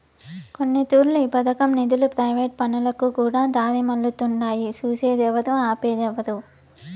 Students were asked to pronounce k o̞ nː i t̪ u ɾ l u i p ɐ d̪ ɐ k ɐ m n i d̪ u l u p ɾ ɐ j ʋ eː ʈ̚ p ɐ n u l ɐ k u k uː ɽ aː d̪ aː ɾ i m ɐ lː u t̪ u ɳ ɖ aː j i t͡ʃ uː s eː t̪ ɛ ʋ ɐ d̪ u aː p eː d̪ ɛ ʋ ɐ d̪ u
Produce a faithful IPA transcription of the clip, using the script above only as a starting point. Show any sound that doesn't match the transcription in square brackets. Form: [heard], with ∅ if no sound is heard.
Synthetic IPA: k o̞ nː i t̪ [uː] ɾ l u i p ɐ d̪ ɐ k ɐ m n i d̪ u l u p ɾ ɐ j ʋ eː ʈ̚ p ɐ n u l ɐ k u k uː ɽ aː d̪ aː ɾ i m ɐ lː u t̪ u ɳ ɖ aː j i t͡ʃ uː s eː [d̪] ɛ ʋ ɐ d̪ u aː p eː d̪ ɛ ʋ ɐ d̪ u